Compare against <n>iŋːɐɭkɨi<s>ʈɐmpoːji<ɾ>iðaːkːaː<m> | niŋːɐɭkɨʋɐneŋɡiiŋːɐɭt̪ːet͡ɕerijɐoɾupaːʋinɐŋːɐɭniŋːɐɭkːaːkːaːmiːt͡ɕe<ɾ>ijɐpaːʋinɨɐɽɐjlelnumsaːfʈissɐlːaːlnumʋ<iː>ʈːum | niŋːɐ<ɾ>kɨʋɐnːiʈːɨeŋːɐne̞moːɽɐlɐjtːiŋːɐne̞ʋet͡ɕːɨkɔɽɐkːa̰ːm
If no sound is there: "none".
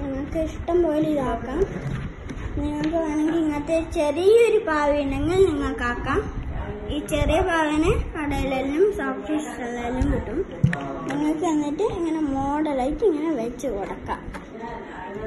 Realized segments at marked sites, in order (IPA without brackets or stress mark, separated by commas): n, ʂ, l, m, r, i, ɭ